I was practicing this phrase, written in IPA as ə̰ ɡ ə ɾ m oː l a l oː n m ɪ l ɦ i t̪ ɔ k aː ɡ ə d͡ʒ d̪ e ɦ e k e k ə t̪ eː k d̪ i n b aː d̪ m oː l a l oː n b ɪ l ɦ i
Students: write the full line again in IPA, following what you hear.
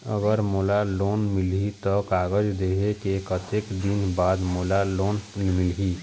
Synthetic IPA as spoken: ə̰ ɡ ə ɾ m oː l a l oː n m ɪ l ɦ i t̪ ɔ k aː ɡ ə d͡ʒ d̪ e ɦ e k e k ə t̪ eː k d̪ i n b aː d̪ m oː l a l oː n m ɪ l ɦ i